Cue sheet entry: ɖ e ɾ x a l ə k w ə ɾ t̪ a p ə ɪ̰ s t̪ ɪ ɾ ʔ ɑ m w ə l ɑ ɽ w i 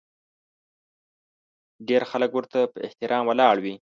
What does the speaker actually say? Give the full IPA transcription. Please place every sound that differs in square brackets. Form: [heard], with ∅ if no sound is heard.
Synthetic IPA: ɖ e ɾ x a l ə k w ə ɾ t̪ a p ə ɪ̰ [h] t̪ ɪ ɾ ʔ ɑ m w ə l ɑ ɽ w i